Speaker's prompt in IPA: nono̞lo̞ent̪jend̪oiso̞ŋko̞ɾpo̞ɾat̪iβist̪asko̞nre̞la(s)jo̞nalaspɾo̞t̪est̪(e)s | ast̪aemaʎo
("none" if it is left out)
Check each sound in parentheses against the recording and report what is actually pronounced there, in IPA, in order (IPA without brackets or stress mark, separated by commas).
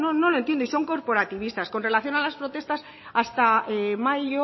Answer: θ, a